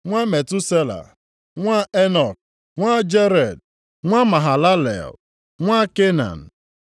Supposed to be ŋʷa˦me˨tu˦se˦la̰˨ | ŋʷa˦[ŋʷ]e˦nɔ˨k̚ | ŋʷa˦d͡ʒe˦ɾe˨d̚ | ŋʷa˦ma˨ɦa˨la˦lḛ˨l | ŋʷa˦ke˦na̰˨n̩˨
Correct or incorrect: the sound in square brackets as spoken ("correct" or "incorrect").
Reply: incorrect